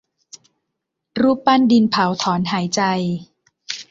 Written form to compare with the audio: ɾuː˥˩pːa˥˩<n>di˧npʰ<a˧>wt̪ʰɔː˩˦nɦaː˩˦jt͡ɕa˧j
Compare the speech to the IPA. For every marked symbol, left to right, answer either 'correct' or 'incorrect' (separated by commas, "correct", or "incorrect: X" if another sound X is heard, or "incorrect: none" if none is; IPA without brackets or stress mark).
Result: correct, incorrect: a˩˦